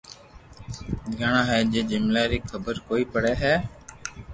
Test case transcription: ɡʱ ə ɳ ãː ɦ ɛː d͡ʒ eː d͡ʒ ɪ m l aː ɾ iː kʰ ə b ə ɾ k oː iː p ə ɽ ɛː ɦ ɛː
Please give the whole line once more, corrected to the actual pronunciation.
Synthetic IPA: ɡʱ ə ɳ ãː ɦ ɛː d͡ʒ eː d͡ʒ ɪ m l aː ɾ iː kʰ ə b ə ɾ k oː iː p ə ɽ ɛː ɦ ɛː